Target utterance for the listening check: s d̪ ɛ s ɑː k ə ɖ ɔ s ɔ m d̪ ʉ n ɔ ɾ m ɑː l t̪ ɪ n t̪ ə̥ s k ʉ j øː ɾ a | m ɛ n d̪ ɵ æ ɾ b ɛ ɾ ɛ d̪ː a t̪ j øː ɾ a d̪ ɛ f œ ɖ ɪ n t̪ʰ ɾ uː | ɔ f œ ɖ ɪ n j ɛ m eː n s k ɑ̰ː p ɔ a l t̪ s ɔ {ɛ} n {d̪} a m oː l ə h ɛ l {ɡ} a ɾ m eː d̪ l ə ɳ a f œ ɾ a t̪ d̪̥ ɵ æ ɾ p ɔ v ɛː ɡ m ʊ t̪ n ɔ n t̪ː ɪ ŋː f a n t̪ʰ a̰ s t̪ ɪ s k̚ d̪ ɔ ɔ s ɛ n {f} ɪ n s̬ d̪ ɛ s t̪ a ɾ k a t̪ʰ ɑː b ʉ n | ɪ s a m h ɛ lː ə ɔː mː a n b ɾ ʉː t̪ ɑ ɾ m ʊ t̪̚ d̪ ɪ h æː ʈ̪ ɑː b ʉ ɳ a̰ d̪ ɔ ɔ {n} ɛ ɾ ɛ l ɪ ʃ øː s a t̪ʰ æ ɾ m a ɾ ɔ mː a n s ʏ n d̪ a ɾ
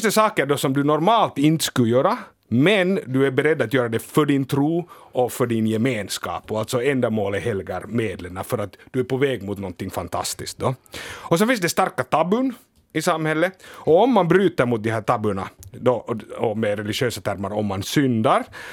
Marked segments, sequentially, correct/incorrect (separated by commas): correct, correct, correct, correct, incorrect